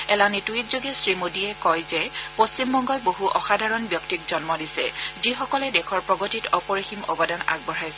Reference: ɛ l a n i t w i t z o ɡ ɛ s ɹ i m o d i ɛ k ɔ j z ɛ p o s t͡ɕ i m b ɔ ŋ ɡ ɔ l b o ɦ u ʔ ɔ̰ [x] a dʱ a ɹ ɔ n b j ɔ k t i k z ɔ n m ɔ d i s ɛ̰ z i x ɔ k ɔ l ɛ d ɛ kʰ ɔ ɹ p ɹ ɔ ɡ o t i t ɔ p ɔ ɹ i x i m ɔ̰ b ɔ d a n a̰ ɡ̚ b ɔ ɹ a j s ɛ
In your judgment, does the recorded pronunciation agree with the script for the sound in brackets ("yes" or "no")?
yes